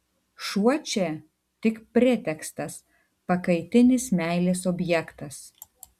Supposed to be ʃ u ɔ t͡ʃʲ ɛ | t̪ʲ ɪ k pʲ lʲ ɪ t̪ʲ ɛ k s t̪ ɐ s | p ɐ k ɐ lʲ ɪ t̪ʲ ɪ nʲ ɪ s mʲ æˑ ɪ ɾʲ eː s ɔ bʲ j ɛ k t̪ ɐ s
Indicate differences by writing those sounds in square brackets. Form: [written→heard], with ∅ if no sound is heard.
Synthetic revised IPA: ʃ u ɔ t͡ʃʲ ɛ | t̪ʲ ɪ k pʲ [lʲ→ɾʲ] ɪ t̪ʲ ɛ k s t̪ ɐ s | p ɐ k ɐ [lʲ→∅] ɪ t̪ʲ ɪ nʲ ɪ s mʲ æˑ ɪ [ɾʲ→lʲ] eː s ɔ bʲ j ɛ k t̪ ɐ s